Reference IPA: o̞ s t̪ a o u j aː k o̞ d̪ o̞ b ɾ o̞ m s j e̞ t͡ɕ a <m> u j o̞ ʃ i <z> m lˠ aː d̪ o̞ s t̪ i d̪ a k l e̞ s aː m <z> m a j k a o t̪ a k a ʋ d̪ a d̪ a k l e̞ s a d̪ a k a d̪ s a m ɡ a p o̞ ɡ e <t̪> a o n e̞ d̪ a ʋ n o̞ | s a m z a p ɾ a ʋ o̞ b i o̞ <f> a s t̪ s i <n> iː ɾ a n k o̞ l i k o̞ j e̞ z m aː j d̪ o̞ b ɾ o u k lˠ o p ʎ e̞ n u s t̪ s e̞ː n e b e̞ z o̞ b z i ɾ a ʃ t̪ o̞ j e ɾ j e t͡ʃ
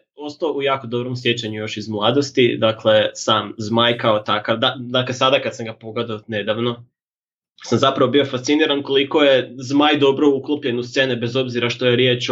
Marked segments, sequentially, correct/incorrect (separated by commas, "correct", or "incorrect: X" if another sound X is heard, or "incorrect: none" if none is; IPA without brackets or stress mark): incorrect: ɲ, correct, correct, incorrect: d̪, correct, correct